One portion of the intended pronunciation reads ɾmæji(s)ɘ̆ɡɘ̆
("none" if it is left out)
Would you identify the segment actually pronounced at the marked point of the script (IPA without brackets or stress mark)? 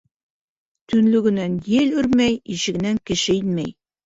ʃ